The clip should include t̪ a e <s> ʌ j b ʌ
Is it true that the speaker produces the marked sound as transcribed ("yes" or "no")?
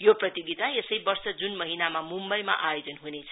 yes